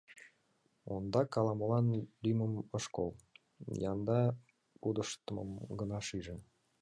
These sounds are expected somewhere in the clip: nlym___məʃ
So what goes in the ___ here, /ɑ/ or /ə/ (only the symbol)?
ə